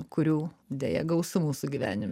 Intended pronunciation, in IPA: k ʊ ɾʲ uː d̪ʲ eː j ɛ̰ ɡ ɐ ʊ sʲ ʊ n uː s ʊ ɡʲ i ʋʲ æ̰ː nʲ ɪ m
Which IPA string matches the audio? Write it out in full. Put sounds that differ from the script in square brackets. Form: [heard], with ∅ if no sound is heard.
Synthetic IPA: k ʊ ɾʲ uː d̪ʲ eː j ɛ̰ ɡ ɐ ʊ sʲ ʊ [m] uː s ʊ ɡʲ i ʋʲ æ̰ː nʲ ɪ m

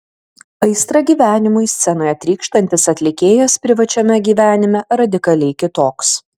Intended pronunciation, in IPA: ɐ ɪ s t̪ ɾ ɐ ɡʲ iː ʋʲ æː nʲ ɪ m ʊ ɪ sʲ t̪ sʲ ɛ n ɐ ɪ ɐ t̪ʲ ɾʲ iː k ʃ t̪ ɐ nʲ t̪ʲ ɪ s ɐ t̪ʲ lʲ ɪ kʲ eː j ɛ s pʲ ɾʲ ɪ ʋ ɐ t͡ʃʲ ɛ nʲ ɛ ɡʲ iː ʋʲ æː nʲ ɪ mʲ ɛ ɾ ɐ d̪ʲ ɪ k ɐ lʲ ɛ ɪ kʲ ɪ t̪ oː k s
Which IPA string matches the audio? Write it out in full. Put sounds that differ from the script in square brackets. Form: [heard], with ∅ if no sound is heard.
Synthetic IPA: ɐ ɪ s t̪ ɾ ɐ ɡʲ iː ʋʲ æː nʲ ɪ m ʊ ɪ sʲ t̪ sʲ ɛ n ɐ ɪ ɐ t̪ʲ ɾʲ iː k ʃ t̪ ɐ nʲ t̪ʲ ɪ s ɐ t̪ʲ lʲ ɪ kʲ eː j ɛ s pʲ ɾʲ ɪ ʋ ɐ t͡ʃʲ ɛ [mʲ] ɛ ɡʲ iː ʋʲ æː nʲ ɪ mʲ ɛ ɾ ɐ d̪ʲ ɪ k ɐ lʲ ɛ ɪ kʲ ɪ t̪ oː k s

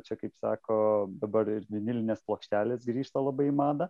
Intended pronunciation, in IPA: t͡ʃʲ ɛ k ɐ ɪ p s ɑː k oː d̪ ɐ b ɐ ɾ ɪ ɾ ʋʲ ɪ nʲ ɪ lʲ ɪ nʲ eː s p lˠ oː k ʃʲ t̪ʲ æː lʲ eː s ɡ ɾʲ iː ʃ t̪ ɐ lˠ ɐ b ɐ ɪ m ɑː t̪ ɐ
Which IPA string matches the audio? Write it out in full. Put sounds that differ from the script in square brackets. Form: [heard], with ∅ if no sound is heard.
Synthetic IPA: t͡ʃʲ ɛ k ɐ ɪ p s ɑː k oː d̪ ɐ b ɐ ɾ ɪ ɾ ʋʲ ɪ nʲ ɪ lʲ ɪ nʲ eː s p lˠ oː k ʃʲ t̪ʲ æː lʲ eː s ɡ ɾʲ iː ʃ t̪ ɐ lˠ ɐ b ɐ ɪ m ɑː [d̪] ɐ

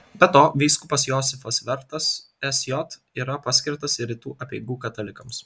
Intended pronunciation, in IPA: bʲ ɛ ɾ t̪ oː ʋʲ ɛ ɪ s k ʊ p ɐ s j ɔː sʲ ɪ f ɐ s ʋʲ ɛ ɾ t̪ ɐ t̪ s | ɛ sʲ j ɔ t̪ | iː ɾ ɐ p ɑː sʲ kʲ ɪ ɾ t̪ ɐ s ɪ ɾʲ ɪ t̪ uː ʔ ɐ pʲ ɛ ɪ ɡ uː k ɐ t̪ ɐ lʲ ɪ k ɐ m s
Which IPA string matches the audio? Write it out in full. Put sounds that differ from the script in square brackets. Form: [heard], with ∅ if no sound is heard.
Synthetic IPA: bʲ ɛ [∅] t̪ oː ʋʲ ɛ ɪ s k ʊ p ɐ s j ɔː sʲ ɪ f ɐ s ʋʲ ɛ ɾ t̪ ɐ [∅] s | ɛ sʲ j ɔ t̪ | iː ɾ ɐ p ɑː sʲ kʲ ɪ ɾ t̪ ɐ s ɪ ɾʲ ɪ t̪ uː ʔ ɐ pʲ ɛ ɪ ɡ uː k ɐ t̪ ɐ lʲ ɪ k ɐ m s

